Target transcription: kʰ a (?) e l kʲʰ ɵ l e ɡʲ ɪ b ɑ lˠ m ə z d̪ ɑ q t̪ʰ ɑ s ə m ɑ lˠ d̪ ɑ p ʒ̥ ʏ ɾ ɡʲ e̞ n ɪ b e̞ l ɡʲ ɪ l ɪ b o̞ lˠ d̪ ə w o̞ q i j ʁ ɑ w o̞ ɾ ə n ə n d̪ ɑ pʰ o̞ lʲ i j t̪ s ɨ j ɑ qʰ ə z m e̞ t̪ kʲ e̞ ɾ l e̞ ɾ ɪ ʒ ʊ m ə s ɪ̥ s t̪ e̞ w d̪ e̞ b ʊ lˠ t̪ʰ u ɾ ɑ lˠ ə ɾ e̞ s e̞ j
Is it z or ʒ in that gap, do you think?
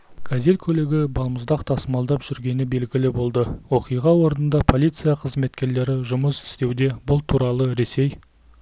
z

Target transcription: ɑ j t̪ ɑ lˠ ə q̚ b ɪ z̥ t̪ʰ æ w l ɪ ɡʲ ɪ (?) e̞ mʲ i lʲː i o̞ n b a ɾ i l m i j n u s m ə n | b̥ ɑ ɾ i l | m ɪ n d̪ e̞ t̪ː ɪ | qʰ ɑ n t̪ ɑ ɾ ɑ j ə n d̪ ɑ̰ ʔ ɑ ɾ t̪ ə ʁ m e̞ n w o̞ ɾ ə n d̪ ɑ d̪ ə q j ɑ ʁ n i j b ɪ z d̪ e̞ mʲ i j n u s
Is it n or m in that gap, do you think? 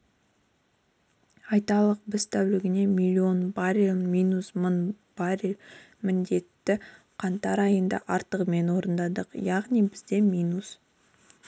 n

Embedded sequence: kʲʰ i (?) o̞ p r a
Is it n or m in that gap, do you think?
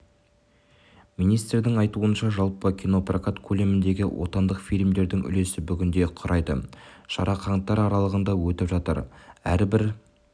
n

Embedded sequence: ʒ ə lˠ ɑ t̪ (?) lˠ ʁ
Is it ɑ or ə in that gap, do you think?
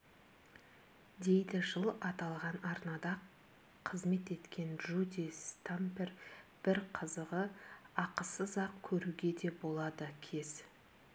ɑ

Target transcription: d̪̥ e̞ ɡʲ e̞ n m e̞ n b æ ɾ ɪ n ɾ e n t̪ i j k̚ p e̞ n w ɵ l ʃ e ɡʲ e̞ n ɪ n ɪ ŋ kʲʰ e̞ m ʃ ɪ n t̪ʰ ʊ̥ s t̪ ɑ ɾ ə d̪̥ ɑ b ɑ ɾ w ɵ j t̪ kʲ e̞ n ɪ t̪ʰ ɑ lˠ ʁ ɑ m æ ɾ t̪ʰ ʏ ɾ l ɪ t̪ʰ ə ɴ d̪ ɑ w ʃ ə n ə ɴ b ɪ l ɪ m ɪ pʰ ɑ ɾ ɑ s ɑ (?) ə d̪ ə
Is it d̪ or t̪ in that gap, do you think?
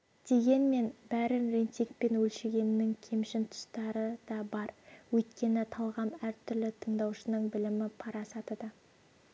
t̪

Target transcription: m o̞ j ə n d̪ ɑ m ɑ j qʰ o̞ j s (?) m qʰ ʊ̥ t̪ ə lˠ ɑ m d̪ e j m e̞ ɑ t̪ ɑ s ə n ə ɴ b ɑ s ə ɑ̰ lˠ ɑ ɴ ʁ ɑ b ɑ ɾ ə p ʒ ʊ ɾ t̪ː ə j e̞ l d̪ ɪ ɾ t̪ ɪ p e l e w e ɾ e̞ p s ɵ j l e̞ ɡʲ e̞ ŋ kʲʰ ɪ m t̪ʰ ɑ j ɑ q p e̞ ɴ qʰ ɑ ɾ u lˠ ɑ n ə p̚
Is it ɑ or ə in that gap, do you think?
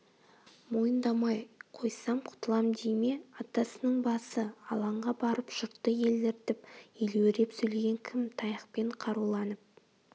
ɑ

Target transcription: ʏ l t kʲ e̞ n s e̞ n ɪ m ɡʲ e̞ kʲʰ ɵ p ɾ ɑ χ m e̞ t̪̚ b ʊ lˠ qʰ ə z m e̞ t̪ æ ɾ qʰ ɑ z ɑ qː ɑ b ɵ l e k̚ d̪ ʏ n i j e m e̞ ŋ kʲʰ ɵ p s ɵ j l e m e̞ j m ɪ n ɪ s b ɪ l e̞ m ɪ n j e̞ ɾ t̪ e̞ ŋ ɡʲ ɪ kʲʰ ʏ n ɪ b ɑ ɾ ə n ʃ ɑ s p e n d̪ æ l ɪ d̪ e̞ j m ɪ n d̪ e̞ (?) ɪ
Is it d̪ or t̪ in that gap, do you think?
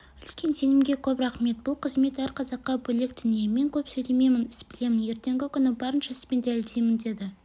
d̪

